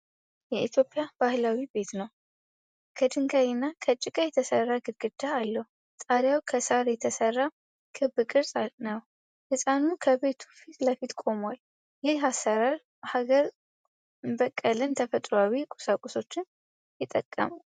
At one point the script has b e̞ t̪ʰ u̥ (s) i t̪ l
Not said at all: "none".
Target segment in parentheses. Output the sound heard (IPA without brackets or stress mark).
f